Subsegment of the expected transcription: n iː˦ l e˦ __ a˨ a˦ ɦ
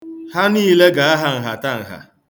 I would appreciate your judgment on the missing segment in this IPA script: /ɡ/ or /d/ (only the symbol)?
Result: ɡ